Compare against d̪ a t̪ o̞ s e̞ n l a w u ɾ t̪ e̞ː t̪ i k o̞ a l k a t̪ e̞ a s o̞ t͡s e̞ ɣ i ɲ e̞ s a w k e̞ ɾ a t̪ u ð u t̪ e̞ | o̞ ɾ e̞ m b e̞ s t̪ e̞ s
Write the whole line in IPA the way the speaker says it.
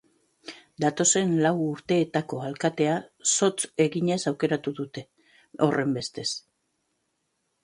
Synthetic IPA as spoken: d̪ a t̪ o̞ s e̞ n l a w u ɾ t̪ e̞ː t̪ a k o̞ a l k a t̪ e̞ a s o̞ t͡s e̞ ɣ i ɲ e̞ s a w k e̞ ɾ a t̪ u ð u t̪ e̞ | o̞ r e̞ m b e̞ s t̪ e̞ s